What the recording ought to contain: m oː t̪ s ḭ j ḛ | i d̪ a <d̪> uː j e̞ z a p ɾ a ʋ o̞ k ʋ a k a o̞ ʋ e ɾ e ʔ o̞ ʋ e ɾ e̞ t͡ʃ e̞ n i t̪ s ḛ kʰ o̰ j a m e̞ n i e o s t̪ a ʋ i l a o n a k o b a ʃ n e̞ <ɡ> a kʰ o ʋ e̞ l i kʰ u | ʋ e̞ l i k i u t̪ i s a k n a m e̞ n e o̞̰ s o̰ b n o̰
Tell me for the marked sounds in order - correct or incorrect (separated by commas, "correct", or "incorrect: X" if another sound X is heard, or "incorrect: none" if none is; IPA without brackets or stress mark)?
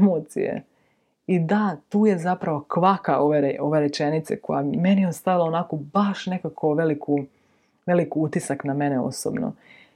incorrect: t̪, incorrect: k